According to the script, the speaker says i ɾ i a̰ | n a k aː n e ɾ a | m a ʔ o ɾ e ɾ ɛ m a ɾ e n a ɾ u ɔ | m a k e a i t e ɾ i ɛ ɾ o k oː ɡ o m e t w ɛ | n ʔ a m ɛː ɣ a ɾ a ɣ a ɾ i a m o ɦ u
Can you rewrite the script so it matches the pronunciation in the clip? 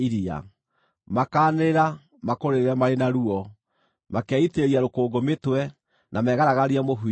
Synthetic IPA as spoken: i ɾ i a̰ | m a k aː n e ɾ a | m a k o ɾ e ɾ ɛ m a ɾ e n a ɾ u ɔ | m a k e a i t e ɾ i a ɾ o k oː ɡ o m e t w ɛ | n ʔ a m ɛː ɣ a ɾ a ɣ a ɾ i a m o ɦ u